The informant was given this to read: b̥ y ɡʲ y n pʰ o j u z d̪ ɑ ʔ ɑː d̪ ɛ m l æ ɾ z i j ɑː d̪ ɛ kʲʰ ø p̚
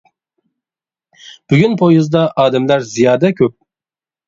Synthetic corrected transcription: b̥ y ɡʲ y n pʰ o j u z d̪ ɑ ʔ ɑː d̪ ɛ m l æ ɾ z i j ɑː d̪ ɛ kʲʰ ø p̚

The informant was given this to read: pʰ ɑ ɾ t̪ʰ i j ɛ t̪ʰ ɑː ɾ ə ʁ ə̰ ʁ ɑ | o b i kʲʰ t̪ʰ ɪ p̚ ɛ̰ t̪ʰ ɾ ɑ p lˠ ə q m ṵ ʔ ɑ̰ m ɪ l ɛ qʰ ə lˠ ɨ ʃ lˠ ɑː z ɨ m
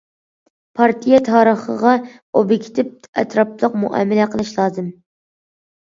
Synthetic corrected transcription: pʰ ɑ ɾ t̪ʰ i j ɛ t̪ʰ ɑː ɾ ə χ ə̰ ʁ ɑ | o b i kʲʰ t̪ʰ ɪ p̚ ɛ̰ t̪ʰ ɾ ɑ p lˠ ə q m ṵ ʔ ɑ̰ m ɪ l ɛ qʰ ə lˠ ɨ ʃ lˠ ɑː z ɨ m

